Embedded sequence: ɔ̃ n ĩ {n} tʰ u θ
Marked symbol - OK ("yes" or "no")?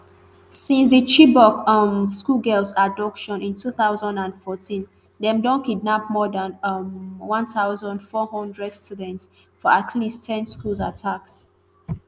yes